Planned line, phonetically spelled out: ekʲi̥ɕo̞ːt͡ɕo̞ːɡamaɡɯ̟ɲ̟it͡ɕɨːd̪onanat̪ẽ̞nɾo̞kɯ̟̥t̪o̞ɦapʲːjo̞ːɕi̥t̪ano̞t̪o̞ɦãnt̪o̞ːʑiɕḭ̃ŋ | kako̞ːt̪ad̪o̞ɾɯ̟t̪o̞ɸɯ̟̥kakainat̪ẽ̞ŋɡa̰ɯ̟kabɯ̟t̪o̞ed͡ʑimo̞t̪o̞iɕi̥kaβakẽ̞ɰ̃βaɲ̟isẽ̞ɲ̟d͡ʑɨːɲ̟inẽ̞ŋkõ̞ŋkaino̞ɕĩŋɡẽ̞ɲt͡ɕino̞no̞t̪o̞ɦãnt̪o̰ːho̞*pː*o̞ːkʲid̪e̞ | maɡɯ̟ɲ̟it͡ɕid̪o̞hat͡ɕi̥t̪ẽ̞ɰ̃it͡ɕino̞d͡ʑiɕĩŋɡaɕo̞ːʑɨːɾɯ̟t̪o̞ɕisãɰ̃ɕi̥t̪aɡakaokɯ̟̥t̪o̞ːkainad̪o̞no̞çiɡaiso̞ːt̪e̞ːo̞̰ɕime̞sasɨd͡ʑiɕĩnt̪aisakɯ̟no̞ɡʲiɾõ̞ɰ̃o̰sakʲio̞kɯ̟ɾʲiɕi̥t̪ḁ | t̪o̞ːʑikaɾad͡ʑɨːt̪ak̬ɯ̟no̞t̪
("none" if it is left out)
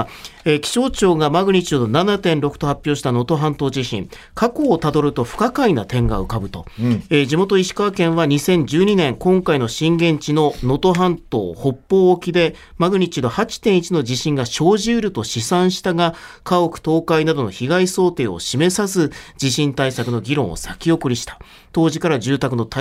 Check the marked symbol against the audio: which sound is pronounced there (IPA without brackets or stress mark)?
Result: pː